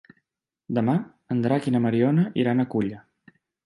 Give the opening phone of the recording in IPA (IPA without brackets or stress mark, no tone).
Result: d̪